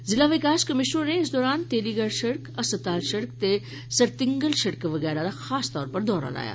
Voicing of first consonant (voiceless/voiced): voiced